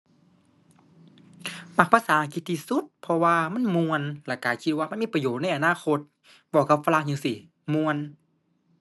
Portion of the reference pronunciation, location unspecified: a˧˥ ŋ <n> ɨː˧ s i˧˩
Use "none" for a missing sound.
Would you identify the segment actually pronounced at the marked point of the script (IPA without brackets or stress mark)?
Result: ɲ